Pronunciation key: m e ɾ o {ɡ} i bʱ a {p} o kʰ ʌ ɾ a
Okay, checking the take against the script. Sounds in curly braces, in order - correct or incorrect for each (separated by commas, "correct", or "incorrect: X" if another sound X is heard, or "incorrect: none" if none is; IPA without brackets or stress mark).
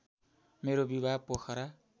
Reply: incorrect: b, correct